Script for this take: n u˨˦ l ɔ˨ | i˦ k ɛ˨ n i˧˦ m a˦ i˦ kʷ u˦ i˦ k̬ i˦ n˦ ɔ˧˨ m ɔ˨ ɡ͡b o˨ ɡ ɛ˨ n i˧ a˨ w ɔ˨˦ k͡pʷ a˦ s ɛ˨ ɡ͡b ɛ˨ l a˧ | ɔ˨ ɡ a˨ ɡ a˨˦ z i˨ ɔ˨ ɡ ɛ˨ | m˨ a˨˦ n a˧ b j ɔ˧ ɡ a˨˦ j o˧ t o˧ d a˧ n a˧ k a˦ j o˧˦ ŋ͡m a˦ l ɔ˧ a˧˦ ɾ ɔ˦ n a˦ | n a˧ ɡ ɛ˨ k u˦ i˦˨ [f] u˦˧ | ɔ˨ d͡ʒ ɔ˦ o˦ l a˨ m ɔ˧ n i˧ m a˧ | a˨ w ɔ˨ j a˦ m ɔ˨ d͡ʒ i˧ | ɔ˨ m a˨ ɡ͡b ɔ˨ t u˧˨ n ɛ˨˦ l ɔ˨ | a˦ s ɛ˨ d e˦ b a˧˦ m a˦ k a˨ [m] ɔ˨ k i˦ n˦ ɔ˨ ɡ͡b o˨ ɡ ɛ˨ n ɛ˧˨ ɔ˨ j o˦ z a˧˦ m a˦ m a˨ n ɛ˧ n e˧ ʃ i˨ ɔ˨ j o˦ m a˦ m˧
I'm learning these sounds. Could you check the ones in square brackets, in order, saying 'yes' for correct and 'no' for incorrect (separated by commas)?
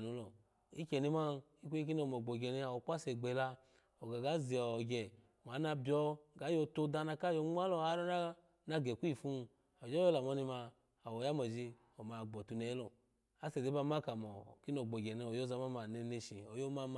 yes, yes